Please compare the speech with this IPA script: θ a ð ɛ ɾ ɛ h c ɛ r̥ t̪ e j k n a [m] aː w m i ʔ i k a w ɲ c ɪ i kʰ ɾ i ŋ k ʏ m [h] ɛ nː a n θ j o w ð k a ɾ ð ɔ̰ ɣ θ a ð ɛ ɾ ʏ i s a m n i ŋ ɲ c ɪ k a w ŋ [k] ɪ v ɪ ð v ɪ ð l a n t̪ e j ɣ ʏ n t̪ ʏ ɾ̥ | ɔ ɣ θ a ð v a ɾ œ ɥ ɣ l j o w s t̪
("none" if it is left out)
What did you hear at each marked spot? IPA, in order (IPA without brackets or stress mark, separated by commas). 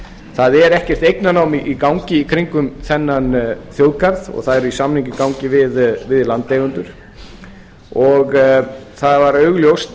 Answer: n, θ, c